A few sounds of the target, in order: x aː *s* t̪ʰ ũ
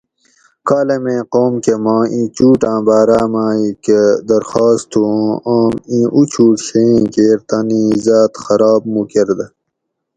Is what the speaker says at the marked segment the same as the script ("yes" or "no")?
yes